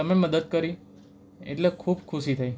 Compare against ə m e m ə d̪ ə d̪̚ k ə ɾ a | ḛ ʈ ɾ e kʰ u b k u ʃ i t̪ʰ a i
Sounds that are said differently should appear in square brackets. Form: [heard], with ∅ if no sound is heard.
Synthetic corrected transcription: ə m e m ə d̪ ə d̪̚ k ə ɾ [i] | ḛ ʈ [l] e kʰ u b [kʰ] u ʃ i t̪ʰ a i